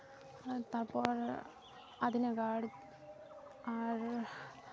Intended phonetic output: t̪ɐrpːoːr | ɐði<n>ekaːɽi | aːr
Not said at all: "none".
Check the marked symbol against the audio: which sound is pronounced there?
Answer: n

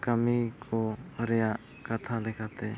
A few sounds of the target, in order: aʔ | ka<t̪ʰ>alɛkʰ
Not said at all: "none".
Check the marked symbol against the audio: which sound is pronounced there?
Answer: t̪ʰ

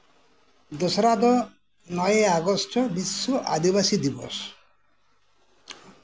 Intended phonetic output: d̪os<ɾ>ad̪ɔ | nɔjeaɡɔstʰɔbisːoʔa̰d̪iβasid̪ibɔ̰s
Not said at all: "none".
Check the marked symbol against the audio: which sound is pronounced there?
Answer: ɾ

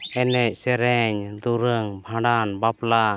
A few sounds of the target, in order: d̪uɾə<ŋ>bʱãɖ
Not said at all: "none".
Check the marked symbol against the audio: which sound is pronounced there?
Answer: ŋ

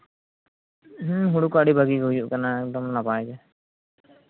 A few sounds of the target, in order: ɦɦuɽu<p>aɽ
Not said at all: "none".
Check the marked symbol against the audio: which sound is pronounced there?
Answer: k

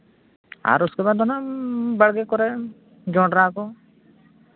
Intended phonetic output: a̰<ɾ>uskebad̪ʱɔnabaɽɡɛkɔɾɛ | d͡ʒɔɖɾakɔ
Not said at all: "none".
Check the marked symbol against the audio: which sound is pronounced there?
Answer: ɾ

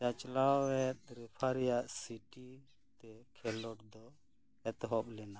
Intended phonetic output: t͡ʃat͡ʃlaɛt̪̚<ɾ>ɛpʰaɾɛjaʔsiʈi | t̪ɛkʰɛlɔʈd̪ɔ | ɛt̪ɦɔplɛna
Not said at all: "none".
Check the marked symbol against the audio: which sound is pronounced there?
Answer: ɾ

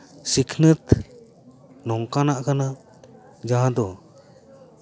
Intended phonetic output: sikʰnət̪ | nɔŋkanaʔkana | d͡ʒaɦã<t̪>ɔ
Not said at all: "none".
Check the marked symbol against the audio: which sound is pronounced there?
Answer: d̪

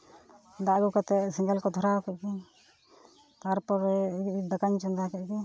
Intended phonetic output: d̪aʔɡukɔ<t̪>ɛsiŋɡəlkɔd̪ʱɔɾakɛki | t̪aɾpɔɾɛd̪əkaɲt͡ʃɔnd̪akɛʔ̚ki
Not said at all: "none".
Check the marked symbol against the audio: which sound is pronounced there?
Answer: t̪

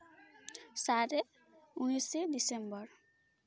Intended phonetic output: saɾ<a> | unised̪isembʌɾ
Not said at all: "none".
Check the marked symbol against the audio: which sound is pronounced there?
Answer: e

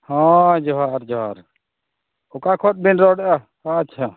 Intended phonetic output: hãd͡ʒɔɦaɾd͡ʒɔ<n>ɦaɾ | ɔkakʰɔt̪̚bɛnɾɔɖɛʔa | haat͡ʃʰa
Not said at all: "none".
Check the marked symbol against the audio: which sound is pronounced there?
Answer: none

